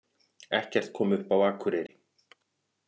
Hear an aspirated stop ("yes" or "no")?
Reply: yes